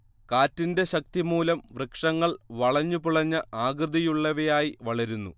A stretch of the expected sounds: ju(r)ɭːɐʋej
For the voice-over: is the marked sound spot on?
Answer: no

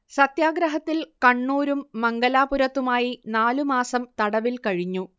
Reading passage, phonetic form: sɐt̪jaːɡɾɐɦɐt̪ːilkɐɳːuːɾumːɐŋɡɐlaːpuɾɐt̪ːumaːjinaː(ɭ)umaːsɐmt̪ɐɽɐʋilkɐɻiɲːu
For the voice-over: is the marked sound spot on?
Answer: no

